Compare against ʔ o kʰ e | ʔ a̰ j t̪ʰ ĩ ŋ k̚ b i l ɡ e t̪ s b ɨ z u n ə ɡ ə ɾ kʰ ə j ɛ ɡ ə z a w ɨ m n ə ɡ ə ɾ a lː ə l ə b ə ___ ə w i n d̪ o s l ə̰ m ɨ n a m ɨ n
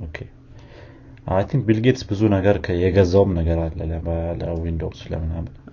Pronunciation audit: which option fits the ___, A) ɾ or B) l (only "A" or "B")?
B